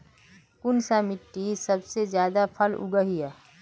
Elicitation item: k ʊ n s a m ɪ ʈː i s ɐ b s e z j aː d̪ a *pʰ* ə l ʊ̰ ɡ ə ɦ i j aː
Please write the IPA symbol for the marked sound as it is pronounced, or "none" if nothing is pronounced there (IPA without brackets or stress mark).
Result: pʰ